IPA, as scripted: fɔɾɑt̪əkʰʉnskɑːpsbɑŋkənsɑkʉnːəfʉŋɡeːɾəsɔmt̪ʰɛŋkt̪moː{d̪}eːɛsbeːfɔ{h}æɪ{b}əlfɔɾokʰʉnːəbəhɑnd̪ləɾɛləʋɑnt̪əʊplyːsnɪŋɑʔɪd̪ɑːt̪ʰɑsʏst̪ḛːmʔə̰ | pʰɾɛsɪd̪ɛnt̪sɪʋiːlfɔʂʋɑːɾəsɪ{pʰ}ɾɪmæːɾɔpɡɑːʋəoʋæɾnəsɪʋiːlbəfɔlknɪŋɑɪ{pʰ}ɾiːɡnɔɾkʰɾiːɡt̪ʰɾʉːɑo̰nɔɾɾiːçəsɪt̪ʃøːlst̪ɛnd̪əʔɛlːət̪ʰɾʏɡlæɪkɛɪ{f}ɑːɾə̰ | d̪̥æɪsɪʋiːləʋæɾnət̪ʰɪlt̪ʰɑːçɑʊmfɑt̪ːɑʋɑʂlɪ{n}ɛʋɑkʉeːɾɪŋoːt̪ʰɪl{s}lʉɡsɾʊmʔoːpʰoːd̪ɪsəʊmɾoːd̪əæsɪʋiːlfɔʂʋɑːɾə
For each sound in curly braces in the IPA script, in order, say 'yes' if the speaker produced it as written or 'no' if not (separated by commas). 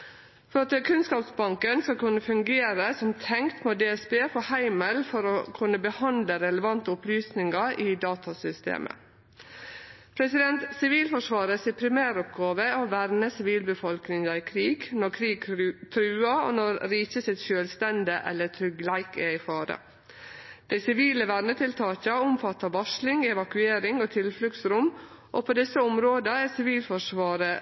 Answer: yes, yes, no, yes, no, yes, no, no